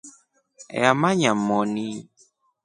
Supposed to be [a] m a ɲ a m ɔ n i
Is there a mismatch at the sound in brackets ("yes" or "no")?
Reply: no